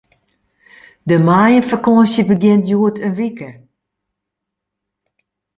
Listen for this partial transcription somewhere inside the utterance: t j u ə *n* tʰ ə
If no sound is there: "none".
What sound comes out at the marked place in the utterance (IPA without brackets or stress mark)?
none